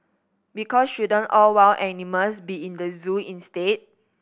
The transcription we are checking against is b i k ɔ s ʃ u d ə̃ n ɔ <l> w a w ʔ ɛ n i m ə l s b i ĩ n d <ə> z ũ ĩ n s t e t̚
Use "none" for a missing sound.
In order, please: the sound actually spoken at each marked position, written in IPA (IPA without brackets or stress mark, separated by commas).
l, ə